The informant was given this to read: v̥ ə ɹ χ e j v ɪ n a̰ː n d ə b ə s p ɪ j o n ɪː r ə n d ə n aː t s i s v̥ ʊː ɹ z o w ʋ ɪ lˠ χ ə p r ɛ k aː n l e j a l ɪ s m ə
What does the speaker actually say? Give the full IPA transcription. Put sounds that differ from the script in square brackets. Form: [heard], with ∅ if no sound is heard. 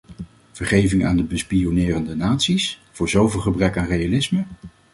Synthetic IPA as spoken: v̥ ə ɹ χ e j v ɪ [ŋ] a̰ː n d ə b ə s p [i] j o n ɪː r ə n d ə n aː t s i s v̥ ʊː ɹ z o w [v] ɪ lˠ χ ə [b] r ɛ k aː n [r] e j a l ɪ s m ə